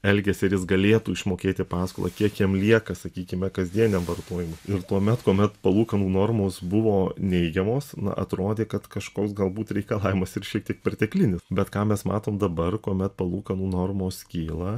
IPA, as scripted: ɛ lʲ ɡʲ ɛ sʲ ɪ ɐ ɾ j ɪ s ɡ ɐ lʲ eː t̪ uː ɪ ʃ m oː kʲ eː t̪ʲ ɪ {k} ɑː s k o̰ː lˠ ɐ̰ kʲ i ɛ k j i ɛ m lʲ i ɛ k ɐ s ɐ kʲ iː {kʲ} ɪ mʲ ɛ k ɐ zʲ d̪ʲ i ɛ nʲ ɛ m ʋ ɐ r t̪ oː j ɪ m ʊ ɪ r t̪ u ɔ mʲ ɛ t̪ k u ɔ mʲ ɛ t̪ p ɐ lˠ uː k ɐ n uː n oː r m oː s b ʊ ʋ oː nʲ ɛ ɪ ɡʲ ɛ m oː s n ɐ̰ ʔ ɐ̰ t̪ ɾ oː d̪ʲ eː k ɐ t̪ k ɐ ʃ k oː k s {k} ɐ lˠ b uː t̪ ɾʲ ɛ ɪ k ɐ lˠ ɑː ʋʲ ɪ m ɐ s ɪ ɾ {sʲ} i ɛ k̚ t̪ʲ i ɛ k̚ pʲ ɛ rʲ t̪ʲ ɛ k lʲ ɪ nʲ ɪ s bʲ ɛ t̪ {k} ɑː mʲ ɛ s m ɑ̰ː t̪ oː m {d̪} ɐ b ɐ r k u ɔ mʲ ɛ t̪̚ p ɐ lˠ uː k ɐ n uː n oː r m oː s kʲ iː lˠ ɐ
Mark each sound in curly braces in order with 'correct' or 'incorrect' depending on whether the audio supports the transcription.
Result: incorrect, correct, incorrect, incorrect, correct, correct

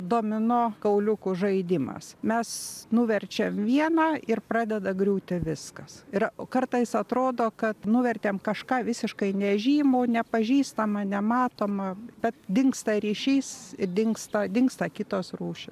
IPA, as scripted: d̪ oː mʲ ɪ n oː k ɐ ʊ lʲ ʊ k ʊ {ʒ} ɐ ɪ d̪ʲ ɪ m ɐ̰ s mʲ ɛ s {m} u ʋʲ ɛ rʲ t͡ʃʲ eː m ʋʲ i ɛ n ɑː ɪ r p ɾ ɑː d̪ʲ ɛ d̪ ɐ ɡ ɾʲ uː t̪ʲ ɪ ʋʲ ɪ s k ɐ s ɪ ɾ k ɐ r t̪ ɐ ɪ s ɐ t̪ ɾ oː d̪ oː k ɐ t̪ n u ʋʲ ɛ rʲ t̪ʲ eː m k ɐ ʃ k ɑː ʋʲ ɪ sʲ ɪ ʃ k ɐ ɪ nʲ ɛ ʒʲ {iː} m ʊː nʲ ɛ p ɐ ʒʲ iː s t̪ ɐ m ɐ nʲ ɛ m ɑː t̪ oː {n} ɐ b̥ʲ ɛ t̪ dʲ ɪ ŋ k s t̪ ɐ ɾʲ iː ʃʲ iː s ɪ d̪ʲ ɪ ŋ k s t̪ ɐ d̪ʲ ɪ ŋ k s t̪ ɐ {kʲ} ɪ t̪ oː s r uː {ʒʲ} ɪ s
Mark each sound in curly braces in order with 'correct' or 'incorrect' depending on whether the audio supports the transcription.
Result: correct, incorrect, correct, incorrect, correct, incorrect

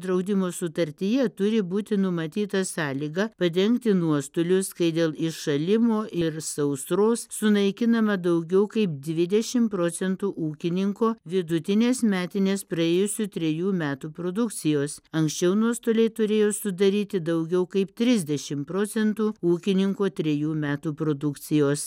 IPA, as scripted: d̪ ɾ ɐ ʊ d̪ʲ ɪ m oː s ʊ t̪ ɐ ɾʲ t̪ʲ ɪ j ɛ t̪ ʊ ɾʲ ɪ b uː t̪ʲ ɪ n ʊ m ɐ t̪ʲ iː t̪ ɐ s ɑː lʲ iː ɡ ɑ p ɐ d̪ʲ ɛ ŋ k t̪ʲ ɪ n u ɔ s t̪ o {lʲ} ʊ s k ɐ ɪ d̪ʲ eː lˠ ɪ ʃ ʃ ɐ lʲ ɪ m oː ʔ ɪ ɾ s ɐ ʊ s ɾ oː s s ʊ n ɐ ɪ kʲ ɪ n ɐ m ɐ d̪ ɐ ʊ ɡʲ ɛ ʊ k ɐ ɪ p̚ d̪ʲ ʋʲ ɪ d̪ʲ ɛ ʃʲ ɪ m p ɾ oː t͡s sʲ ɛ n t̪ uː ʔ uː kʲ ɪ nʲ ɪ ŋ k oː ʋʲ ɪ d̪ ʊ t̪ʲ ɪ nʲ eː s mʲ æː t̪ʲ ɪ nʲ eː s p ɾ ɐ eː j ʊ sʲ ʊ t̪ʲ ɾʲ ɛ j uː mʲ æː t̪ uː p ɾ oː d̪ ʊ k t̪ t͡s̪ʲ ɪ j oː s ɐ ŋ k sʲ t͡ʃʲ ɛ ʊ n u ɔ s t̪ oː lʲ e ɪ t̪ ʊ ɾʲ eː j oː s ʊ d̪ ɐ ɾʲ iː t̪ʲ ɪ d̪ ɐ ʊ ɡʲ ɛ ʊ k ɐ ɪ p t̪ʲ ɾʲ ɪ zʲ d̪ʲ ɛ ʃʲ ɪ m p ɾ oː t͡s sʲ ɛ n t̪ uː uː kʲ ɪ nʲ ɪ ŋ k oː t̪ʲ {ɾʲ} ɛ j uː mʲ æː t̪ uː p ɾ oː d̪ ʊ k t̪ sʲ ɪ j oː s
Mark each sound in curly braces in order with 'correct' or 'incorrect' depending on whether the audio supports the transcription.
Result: correct, correct

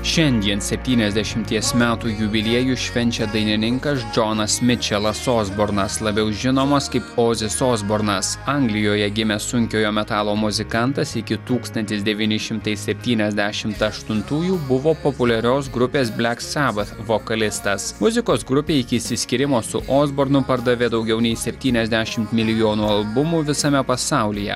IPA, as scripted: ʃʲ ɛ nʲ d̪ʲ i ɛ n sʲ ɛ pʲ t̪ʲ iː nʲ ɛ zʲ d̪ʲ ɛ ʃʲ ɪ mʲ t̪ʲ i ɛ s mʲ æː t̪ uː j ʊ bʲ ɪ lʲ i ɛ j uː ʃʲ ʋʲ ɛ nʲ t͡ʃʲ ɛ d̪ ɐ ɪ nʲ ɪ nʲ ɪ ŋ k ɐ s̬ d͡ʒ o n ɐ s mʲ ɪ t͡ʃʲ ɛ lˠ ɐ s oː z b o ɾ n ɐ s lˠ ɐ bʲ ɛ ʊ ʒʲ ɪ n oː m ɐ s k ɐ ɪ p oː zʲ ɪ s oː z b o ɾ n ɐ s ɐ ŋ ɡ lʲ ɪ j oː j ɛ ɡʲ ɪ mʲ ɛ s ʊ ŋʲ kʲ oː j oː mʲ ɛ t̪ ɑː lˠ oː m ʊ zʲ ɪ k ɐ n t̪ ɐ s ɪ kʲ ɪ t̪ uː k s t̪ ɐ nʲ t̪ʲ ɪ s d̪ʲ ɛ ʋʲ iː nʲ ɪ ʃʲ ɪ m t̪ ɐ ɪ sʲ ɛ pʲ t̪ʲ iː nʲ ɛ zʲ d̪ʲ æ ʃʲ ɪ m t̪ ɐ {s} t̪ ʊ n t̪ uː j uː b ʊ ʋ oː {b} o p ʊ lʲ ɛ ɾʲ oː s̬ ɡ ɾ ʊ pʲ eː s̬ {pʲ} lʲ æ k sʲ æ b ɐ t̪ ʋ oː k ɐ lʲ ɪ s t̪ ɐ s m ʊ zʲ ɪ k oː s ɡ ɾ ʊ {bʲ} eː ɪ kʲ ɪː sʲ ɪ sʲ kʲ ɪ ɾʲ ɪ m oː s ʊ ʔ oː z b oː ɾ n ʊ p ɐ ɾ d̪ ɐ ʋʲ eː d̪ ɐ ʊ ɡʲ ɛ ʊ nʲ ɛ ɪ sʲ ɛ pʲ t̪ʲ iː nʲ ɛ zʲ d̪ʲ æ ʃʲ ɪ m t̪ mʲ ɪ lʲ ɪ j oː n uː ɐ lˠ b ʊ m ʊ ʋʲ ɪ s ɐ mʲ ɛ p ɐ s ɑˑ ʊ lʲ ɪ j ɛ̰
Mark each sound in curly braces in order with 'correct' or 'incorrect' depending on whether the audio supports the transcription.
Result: incorrect, incorrect, incorrect, incorrect

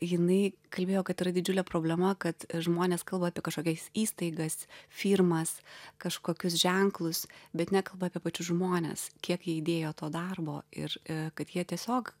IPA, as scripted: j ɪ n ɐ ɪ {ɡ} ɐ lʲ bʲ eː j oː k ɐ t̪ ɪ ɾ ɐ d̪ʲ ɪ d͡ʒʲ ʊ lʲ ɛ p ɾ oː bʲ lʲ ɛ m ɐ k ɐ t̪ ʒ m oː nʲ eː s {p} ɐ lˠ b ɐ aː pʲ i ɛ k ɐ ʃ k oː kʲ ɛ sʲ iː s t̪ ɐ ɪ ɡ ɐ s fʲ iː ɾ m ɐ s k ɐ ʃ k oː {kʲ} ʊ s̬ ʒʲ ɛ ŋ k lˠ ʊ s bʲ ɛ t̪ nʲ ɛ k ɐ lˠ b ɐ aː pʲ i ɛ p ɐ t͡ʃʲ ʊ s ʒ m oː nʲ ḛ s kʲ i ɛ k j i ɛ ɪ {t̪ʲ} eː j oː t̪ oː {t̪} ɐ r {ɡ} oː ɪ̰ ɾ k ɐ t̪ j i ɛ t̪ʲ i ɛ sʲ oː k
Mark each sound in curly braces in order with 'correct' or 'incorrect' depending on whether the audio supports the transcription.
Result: incorrect, incorrect, correct, incorrect, incorrect, incorrect

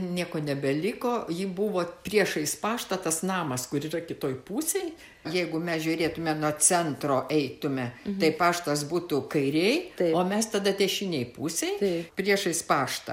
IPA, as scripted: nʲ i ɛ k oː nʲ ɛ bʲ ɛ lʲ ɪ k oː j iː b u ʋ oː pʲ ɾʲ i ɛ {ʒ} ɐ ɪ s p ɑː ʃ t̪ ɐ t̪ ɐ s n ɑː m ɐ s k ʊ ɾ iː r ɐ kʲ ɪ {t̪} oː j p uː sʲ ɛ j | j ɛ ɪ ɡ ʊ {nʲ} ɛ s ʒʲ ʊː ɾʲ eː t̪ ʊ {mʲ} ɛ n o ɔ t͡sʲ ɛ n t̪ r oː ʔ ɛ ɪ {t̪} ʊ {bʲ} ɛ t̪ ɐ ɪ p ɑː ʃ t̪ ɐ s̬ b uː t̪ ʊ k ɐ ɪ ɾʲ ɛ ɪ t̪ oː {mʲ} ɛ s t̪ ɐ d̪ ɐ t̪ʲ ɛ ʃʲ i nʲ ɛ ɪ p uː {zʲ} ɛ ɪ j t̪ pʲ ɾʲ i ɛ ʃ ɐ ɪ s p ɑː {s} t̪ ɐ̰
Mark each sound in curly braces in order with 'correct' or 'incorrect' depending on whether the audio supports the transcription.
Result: incorrect, correct, incorrect, correct, correct, incorrect, correct, incorrect, incorrect

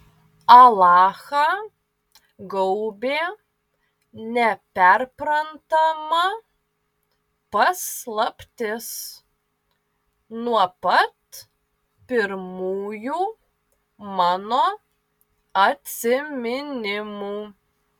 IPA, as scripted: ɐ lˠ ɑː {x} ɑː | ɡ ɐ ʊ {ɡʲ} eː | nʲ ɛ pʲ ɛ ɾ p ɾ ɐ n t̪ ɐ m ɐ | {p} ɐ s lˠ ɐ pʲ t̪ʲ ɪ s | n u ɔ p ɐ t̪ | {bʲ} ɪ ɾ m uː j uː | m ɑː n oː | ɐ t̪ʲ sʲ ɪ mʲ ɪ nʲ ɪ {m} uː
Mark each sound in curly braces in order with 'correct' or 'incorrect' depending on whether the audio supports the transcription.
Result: correct, incorrect, correct, incorrect, correct

